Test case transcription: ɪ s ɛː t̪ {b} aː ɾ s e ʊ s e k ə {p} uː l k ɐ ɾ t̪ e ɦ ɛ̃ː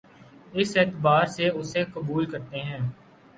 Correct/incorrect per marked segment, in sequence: correct, incorrect

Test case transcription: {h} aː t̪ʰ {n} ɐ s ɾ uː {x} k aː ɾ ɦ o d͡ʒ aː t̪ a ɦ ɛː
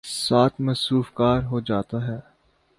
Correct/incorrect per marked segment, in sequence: incorrect, incorrect, incorrect

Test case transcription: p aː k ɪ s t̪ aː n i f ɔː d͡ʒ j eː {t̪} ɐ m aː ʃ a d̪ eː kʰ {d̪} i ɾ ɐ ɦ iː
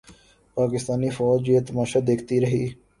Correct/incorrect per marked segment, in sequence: correct, incorrect

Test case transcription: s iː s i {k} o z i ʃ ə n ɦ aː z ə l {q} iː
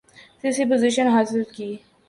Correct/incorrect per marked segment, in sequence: incorrect, incorrect

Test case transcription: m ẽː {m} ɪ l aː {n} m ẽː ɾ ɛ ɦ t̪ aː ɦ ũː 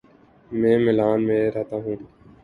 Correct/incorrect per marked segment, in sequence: correct, correct

